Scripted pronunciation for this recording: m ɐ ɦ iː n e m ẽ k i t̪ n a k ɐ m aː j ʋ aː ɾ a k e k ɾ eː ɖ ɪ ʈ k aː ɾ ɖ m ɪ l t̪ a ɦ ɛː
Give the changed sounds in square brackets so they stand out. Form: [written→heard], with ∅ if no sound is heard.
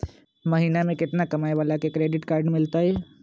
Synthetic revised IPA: m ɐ ɦ iː n [e→a] m ẽ k [i→ɪ] t̪ n a k ɐ m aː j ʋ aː [ɾ→l] a k e k ɾ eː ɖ ɪ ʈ k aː ɾ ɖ m ɪ l t̪ a ɦ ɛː

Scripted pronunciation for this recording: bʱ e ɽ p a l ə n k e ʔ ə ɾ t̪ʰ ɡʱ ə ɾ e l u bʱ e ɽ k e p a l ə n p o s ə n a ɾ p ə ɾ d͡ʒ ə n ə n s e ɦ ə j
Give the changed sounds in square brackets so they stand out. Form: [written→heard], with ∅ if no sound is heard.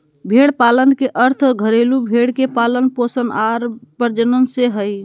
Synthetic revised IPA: bʱ e ɽ p a l ə n k e ʔ ə ɾ t̪ʰ ɡʱ ə ɾ e l u bʱ e ɽ k e p a l ə n p o s ə n a ɾ p ə ɾ d͡ʒ ə n ə n s e ɦ ə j

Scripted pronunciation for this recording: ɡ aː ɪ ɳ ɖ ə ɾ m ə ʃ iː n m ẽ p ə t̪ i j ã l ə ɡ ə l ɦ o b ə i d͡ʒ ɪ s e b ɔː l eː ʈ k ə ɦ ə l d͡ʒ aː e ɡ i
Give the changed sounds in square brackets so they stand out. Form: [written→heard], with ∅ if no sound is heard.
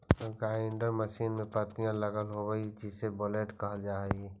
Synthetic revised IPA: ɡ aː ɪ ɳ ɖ ə ɾ m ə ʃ iː n m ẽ p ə t̪ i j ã l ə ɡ ə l ɦ o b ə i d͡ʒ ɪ s e b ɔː l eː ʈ k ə ɦ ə l d͡ʒ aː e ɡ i

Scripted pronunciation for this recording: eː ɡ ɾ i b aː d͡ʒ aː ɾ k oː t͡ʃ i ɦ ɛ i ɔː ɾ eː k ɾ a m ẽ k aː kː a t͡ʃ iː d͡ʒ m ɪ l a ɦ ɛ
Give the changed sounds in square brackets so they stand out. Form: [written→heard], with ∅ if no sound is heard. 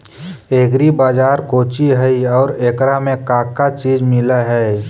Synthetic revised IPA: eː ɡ ɾ i b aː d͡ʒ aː ɾ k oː t͡ʃ i ɦ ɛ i ɔː ɾ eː k ɾ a m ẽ k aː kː a t͡ʃ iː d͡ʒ m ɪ l a ɦ ɛ

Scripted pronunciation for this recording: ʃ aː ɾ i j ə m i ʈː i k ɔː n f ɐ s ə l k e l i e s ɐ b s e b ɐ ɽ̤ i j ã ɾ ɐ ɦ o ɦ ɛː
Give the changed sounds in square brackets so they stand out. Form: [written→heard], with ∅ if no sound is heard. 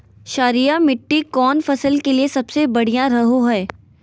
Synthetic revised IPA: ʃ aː ɾ i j [ə→a] m [i→ɪ] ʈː i k ɔː n f ɐ s ə l k e l i e s ɐ b s e b ɐ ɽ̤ i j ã ɾ ɐ ɦ o ɦ ɛː

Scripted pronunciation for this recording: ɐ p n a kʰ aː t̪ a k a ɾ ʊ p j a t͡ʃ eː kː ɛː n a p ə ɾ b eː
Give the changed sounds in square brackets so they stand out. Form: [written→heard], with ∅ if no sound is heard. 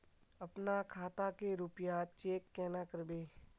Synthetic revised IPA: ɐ p n a kʰ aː t̪ a k [a→e] ɾ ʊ p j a t͡ʃ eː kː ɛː n a [p→k] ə ɾ b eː

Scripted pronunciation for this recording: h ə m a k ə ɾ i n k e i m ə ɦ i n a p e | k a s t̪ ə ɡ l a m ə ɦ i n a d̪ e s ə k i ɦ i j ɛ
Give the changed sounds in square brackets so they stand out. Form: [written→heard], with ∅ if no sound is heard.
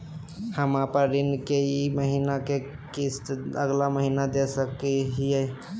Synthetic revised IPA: h ə m a [k→p] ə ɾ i n k e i m ə ɦ i n a [p→k] e | k [a→i] s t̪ ə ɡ l a m ə ɦ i n a d̪ e s ə k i ɦ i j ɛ

